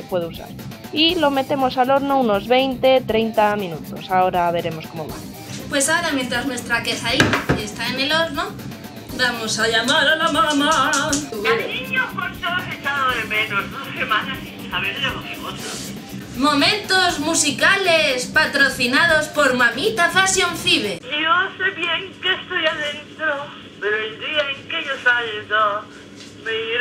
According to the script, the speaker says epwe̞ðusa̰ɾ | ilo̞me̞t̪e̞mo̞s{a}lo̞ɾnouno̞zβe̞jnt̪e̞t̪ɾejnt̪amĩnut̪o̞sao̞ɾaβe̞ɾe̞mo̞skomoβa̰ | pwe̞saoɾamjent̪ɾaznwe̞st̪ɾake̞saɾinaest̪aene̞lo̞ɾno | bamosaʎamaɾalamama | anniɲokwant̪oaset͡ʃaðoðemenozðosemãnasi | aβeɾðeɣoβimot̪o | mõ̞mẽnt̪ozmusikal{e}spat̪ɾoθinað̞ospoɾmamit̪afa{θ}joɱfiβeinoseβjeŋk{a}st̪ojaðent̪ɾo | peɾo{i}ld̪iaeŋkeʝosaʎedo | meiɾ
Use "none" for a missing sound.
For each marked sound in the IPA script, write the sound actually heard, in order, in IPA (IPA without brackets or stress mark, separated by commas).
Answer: a, e, s, e, e